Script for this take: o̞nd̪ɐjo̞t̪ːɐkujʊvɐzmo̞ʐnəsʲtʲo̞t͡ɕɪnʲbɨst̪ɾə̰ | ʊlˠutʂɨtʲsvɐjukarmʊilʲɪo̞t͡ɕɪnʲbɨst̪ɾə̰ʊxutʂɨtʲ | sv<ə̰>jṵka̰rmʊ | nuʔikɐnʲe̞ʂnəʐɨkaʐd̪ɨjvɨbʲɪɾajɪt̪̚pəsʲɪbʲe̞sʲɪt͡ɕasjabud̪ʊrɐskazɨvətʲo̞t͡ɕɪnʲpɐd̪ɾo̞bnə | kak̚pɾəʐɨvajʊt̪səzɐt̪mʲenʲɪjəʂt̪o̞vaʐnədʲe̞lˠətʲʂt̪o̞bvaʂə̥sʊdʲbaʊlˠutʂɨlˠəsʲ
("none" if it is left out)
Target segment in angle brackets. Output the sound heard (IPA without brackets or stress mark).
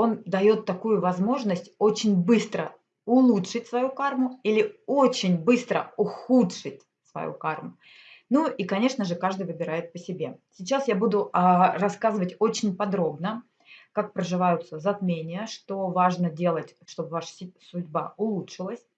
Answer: ɐ̰